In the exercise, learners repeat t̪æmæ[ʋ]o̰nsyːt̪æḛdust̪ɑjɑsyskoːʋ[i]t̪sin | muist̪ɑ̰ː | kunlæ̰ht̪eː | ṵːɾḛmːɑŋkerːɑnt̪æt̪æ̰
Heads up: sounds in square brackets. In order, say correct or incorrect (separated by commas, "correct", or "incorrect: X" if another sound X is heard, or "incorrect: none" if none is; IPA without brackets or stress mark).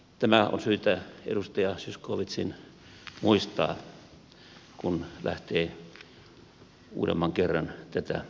incorrect: none, correct